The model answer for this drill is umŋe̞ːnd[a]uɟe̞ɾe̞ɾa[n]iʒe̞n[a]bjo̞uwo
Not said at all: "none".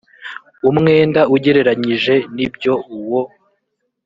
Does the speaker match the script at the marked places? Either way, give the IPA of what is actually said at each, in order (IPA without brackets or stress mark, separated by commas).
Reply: a, ɲ, i